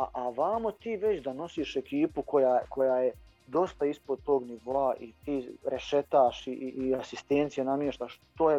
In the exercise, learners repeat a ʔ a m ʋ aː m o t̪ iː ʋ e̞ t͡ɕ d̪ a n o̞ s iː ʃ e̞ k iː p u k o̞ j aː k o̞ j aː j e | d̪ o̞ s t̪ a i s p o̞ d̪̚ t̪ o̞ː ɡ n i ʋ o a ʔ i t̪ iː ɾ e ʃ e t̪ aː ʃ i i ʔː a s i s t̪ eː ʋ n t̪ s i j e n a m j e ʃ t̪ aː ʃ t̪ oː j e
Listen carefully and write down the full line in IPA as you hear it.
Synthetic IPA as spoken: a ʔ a ʋ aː m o t̪ iː ʋ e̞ t͡ɕ d̪ a n o̞ s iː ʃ e̞ k iː p u k o̞ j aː k o̞ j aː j e | d̪ o̞ s t̪ a i s p o̞ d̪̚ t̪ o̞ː ɡ n i ʋ o a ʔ i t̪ iː ɾ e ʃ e t̪ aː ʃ i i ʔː a s i s t̪ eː n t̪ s i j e n a m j e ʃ t̪ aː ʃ t̪ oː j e